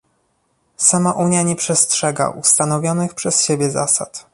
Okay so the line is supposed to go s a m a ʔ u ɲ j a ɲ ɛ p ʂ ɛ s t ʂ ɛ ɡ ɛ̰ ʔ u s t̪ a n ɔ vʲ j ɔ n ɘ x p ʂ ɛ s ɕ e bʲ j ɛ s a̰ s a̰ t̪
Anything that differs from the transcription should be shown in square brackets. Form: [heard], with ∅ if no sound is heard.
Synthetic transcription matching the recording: s a m a ʔ u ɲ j a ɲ ɛ p ʂ ɛ s t ʂ ɛ ɡ [a̰] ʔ u s t̪ a n ɔ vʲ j ɔ n ɘ x p ʂ ɛ s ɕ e bʲ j ɛ [z] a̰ s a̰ t̪